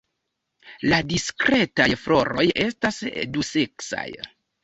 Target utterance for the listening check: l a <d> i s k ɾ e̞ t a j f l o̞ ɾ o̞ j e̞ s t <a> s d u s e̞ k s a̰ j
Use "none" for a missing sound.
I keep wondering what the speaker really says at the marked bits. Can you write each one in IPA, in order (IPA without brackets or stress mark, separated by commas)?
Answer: d, a